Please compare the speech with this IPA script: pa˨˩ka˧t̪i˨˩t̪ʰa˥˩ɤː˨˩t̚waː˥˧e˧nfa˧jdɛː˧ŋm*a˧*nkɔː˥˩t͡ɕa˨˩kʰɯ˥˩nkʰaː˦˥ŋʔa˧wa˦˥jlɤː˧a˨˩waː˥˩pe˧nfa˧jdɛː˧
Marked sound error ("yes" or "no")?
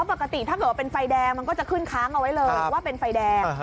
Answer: no